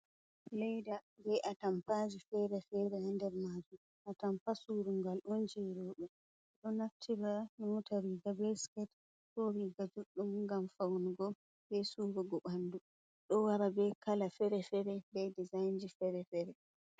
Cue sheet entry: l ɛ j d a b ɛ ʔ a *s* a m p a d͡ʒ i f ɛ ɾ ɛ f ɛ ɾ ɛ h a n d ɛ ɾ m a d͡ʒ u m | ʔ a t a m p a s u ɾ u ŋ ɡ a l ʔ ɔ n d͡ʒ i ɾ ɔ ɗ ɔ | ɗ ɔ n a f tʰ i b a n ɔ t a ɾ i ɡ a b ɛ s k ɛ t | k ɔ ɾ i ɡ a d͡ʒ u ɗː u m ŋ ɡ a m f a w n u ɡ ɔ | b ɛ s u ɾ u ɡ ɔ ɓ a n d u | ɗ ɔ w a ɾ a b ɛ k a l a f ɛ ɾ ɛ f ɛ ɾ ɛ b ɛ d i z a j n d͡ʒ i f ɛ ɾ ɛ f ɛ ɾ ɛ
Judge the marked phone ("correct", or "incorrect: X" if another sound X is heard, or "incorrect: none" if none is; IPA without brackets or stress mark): incorrect: t